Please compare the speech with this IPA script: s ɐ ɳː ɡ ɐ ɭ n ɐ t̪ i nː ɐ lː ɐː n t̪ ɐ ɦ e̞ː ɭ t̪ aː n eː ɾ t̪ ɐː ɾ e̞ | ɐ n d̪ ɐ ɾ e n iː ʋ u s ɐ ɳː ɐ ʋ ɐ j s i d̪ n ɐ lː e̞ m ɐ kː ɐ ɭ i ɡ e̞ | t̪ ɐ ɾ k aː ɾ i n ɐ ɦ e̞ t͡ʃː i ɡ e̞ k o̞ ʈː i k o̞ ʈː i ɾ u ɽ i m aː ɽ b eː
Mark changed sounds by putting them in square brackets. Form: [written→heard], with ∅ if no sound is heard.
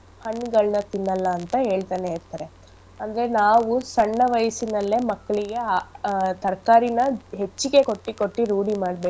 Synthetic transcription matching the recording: [s→h] ɐ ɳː ɡ ɐ ɭ n ɐ t̪ i nː ɐ lː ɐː n t̪ ɐ ɦ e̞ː ɭ t̪ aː n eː ɾ t̪ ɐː ɾ e̞ | ɐ n d̪ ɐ ɾ e n [iː→aː] ʋ u s ɐ ɳː ɐ ʋ ɐ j s i [d̪→∅] n ɐ lː e̞ m ɐ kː ɐ ɭ i ɡ e̞ | t̪ ɐ ɾ k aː ɾ i n ɐ ɦ e̞ t͡ʃː i ɡ e̞ k o̞ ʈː i k o̞ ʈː i ɾ [u→uː] ɽ i m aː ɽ b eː

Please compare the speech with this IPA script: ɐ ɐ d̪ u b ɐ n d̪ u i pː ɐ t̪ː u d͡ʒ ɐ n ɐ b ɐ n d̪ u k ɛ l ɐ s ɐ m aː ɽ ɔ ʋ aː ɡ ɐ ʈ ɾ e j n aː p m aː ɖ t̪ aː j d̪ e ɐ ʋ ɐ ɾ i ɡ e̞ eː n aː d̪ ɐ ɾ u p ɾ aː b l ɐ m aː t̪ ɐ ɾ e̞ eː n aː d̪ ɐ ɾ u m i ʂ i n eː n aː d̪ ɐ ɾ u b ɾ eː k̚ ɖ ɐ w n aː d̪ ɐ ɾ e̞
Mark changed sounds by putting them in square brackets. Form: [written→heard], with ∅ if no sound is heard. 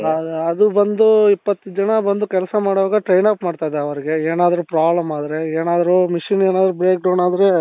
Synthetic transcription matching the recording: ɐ ɐ d̪ u b ɐ n d̪ u i pː ɐ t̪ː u d͡ʒ ɐ n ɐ b ɐ n d̪ u k ɛ l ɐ s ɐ m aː ɽ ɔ ʋ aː ɡ ɐ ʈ ɾ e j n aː p m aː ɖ t̪ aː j d̪ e ɐ ʋ ɐ ɾ i ɡ e̞ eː n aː d̪ ɐ ɾ u p ɾ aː b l ɐ m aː [t̪→d̪] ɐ ɾ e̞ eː n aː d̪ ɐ ɾ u m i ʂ i n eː n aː d̪ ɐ ɾ u b ɾ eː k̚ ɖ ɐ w n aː d̪ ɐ ɾ e̞

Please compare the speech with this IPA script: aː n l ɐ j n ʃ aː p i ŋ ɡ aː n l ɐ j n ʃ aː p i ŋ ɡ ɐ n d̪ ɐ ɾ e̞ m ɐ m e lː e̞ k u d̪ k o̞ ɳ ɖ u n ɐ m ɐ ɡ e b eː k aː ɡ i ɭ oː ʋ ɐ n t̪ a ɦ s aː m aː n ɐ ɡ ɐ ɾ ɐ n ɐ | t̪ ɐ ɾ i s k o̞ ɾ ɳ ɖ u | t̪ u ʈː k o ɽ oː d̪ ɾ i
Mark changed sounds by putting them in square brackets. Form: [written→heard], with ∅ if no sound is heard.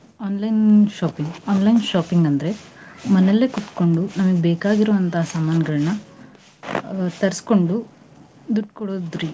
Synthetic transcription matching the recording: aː n l ɐ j n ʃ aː p i ŋ ɡ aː n l ɐ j n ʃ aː p i ŋ ɡ ɐ n d̪ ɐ ɾ e̞ m ɐ [m→n] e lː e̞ k u [d̪→t̪] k o̞ ɳ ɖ u n ɐ m ɐ ɡ e b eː k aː ɡ i [ɭ→ɾ] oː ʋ ɐ n t̪ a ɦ s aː m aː n ɐ ɡ ɐ [ɾ→ɭ] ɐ n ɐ | t̪ ɐ ɾ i s k o̞ [ɾ→∅] ɳ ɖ u | [t̪→d̪] u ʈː k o ɽ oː d̪ ɾ i

